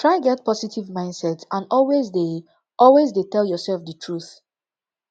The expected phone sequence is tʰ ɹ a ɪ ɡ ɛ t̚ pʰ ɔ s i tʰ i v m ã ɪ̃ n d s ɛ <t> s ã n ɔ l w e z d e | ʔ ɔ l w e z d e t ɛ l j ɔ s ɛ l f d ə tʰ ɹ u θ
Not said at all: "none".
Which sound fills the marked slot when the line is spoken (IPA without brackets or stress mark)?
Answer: t